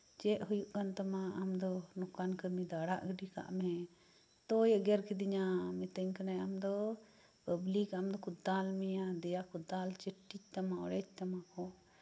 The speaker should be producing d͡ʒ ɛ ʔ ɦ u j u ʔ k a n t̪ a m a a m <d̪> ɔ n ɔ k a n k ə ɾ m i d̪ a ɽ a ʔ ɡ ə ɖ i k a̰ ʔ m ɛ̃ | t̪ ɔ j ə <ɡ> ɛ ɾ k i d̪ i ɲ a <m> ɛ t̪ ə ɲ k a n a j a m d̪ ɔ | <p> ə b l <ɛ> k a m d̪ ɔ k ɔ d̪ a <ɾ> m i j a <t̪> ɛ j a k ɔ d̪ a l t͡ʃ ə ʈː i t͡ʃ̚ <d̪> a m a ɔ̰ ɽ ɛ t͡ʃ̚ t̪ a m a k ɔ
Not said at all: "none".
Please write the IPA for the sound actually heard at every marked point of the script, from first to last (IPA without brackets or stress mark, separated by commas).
d̪, ɡ, m, p, i, l, d̪, t̪